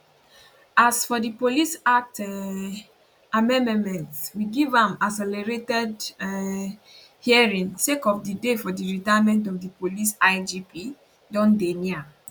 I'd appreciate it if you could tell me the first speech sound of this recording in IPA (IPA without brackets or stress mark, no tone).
a